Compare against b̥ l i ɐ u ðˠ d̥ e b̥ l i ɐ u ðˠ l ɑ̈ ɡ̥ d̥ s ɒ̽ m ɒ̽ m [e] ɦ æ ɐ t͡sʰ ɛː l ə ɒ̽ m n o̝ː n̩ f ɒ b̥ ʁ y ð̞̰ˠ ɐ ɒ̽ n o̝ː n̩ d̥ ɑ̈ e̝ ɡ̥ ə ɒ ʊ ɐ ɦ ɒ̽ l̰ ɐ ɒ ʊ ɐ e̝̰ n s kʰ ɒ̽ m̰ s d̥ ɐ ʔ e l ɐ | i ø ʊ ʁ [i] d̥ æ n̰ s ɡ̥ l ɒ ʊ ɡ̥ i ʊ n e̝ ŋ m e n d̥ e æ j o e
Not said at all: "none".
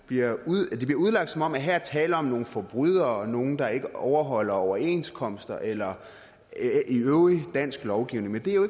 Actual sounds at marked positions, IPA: æ, i

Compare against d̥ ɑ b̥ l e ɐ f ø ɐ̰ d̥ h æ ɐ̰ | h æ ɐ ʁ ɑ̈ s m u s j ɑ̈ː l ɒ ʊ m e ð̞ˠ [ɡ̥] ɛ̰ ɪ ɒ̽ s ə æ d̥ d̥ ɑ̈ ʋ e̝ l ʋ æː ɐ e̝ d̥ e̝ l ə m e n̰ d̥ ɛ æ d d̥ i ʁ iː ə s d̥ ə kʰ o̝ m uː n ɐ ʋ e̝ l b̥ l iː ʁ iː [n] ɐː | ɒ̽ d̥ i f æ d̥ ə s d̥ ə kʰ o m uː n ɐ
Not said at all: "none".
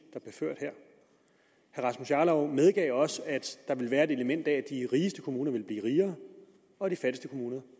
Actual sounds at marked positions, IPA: ɡ̥, none

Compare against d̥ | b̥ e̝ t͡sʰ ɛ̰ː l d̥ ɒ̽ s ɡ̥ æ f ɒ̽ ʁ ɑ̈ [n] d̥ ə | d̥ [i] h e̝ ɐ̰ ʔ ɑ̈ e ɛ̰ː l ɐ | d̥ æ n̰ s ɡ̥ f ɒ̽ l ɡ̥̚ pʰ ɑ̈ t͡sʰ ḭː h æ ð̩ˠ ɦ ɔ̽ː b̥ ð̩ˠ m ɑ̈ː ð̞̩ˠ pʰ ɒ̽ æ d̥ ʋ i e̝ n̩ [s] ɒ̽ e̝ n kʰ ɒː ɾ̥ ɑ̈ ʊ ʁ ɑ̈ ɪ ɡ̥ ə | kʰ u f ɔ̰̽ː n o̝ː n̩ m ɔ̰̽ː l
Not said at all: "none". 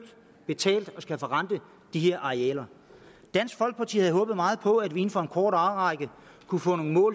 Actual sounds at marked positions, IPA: n, i, f

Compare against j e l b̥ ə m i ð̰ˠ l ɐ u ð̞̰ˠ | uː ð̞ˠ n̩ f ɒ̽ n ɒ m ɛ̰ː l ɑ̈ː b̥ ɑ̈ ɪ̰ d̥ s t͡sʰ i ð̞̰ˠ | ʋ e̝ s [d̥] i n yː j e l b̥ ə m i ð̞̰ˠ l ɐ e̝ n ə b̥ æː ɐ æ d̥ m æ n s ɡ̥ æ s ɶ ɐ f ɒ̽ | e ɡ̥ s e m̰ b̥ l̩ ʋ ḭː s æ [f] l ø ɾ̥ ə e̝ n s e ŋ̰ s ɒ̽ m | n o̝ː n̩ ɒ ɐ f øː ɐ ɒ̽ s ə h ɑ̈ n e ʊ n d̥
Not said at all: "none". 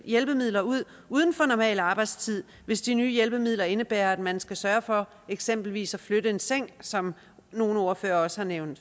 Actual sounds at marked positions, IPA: d̥, f

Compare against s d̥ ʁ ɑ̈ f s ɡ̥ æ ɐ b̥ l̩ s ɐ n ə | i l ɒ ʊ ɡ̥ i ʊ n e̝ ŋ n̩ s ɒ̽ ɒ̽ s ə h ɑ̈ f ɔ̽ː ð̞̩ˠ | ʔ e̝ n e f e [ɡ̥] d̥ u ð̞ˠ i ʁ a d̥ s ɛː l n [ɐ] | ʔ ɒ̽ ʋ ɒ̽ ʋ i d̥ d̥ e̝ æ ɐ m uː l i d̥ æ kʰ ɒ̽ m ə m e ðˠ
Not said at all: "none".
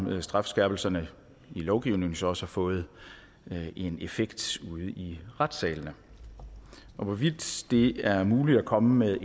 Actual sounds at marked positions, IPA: ɡ̥, ə

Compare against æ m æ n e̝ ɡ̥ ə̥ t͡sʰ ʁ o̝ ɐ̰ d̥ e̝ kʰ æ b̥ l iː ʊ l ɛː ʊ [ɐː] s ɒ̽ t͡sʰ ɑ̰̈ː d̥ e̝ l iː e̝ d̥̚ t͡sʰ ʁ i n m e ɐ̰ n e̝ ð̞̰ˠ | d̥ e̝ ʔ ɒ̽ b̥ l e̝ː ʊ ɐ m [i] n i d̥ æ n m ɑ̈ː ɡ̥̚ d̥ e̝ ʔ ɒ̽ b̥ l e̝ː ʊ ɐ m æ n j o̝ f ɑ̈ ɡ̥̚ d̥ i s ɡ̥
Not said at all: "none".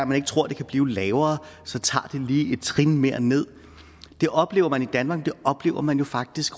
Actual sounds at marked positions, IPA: ɐː, æ

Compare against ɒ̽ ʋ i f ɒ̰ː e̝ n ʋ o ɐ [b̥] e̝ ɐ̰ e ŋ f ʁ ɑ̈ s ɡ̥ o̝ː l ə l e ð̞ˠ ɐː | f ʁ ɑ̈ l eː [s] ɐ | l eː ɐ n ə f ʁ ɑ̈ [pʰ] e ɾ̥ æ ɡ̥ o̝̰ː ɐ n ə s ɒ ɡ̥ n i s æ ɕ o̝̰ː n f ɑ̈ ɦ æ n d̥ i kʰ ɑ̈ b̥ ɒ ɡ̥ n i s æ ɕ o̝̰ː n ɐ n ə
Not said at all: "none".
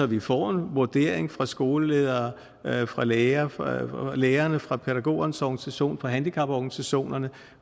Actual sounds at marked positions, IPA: d̥, none, pʰ

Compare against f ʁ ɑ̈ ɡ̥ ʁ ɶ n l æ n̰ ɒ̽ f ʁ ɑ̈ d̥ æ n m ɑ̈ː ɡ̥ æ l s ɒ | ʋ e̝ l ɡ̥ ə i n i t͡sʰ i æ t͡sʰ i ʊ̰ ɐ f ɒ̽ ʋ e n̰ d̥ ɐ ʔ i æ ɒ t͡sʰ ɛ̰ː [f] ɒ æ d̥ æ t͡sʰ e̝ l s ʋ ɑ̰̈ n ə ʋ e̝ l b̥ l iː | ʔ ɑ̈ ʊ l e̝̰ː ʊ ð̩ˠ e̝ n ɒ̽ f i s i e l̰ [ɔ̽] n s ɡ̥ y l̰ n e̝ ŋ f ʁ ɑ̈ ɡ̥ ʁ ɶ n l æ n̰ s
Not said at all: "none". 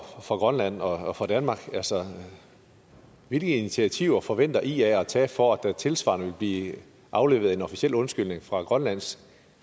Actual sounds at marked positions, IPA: f, ɔ̽

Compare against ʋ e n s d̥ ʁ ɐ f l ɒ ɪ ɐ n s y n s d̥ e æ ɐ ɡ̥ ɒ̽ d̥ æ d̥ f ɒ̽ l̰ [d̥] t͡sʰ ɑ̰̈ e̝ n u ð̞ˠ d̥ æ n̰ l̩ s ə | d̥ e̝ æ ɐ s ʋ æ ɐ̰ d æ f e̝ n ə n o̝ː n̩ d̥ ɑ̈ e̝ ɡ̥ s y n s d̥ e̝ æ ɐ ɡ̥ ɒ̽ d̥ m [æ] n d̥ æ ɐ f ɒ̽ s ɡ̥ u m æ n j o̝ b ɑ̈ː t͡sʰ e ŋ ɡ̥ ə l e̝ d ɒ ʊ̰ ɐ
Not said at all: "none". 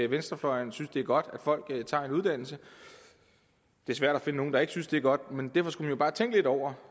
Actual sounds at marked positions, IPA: ɡ̥, e

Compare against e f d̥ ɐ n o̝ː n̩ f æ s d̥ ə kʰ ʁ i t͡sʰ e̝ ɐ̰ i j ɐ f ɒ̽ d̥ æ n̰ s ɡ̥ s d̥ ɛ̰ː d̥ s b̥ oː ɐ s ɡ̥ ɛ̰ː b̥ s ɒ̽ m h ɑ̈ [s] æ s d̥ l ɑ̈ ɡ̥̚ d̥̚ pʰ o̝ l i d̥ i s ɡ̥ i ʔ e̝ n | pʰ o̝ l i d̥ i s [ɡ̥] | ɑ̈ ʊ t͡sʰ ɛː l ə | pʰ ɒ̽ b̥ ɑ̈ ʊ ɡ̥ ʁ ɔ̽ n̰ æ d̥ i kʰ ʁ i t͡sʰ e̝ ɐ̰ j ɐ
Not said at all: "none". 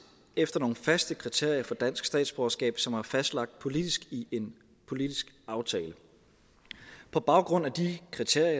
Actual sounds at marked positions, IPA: f, ɡ̥

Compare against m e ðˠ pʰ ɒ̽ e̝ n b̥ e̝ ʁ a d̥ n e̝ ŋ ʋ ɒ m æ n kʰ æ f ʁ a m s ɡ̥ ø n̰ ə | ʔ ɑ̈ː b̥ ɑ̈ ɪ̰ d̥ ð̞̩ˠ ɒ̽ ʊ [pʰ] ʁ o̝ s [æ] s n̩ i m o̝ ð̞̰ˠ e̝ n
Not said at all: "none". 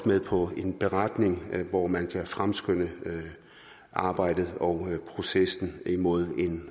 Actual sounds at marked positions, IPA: pʰ, e

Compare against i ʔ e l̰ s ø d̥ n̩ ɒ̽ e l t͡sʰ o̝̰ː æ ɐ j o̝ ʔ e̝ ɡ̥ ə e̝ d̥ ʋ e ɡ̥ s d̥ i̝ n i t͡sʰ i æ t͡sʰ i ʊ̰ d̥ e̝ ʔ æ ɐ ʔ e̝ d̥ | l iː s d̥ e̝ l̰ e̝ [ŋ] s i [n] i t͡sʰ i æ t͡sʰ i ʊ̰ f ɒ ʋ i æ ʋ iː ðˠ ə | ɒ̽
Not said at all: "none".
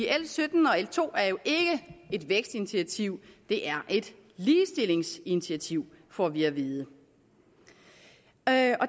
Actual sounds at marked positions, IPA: ŋ, n

